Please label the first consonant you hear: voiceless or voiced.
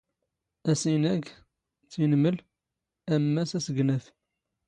voiceless